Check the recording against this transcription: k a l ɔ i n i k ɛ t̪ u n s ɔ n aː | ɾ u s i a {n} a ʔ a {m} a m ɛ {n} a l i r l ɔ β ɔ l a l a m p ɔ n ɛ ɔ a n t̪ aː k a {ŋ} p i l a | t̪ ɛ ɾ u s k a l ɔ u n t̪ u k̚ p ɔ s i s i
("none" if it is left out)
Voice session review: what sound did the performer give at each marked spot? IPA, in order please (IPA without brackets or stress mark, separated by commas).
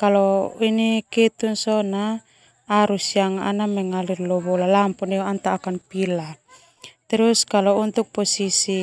ŋ, n, ŋ, n